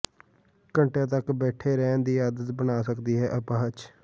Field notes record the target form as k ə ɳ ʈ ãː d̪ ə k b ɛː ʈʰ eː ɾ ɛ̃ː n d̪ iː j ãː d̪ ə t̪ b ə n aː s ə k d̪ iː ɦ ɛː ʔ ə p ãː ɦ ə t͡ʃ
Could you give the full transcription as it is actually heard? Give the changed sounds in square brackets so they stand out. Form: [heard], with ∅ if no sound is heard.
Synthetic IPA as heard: k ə ɳ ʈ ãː [t̪] ə k b ɛː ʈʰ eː ɾ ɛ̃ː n d̪ iː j [aː] d̪ ə t̪ b ə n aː s ə k d̪ iː ɦ ɛː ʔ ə p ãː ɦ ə t͡ʃ